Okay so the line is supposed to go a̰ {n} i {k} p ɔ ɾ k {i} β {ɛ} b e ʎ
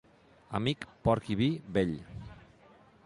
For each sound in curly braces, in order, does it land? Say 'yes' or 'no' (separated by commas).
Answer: no, yes, yes, no